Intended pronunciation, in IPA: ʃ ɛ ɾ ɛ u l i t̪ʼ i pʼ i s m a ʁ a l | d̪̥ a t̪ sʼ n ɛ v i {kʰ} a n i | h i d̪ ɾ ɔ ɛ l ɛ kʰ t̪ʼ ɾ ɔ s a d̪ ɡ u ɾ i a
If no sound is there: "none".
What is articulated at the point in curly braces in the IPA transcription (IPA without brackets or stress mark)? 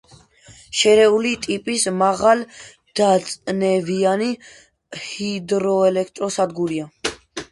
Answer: none